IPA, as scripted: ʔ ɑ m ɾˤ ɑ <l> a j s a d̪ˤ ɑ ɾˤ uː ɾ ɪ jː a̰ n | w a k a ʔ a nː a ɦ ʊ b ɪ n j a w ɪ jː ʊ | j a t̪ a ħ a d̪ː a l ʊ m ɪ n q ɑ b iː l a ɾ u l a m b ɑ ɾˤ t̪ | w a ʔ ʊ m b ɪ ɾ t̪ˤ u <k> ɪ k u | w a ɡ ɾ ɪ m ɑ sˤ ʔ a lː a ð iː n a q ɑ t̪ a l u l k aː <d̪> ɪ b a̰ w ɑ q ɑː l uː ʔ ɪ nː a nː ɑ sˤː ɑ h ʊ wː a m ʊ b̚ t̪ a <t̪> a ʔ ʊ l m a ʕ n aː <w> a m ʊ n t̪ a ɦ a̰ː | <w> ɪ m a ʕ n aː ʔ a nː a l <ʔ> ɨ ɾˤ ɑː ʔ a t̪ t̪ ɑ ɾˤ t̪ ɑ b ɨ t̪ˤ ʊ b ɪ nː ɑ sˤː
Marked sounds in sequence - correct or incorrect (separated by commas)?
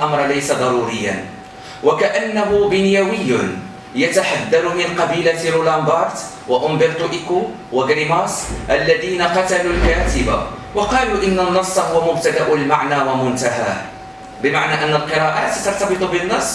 correct, incorrect, incorrect, incorrect, correct, incorrect, incorrect